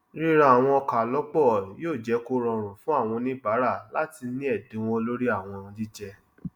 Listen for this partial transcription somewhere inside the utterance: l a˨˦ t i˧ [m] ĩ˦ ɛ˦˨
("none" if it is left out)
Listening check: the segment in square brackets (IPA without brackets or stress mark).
n